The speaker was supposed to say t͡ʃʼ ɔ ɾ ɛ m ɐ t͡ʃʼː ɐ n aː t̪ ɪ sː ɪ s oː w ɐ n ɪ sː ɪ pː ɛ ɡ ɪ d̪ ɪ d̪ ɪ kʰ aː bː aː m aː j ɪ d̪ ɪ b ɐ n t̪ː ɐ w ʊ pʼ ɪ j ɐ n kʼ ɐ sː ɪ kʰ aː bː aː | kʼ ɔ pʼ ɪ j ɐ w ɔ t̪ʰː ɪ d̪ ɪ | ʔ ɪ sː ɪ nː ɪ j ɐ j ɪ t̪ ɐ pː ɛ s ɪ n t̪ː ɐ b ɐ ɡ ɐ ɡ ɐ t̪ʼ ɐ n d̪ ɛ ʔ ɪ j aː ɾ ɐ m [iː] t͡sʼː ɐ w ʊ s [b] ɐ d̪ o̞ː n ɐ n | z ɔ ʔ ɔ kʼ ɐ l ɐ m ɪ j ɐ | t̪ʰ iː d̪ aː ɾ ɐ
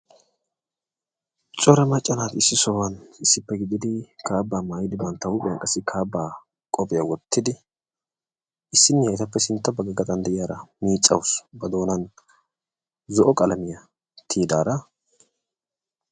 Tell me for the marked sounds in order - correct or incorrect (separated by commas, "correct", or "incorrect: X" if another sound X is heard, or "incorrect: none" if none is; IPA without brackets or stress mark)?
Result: correct, correct